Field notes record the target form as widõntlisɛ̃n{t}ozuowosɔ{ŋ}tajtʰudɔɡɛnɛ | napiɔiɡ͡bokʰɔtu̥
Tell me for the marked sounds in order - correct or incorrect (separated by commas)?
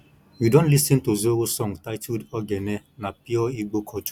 correct, correct